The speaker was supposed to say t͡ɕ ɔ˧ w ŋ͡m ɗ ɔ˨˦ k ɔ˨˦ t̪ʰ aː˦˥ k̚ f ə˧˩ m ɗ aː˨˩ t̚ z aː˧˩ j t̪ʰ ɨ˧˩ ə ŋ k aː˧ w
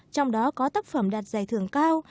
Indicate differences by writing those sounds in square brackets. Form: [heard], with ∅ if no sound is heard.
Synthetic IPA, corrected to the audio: t͡ɕ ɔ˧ w ŋ͡m ɗ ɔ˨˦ k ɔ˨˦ [t̪] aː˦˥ k̚ f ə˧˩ m ɗ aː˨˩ t̚ z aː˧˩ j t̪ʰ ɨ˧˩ ə ŋ k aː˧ w